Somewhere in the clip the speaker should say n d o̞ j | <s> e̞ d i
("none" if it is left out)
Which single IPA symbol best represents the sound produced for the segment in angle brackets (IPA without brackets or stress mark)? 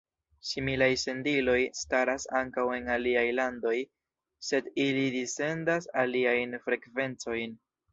s